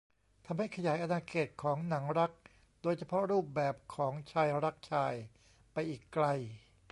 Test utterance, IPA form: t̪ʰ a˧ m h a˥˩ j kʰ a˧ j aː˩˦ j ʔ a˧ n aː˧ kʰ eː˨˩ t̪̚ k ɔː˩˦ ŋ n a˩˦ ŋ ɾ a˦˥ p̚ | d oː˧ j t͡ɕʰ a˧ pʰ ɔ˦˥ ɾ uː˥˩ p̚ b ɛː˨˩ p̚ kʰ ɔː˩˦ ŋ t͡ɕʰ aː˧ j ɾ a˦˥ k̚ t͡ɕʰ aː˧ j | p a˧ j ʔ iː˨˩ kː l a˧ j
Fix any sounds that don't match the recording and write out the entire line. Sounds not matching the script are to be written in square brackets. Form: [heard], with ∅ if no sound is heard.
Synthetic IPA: t̪ʰ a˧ m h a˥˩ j kʰ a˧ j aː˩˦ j ʔ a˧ n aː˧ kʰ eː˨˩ t̪̚ [kʰ] ɔː˩˦ ŋ n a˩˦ ŋ ɾ a˦˥ [k̚] | d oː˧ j t͡ɕʰ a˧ pʰ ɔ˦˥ ɾ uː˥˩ p̚ b ɛː˨˩ p̚ kʰ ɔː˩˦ ŋ t͡ɕʰ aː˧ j ɾ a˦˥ k̚ t͡ɕʰ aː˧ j | p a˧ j ʔ iː˨˩ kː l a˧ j